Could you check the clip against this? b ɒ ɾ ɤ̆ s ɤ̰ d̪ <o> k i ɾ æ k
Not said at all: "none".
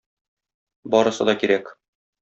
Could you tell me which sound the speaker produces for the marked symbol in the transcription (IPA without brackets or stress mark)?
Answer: ɒ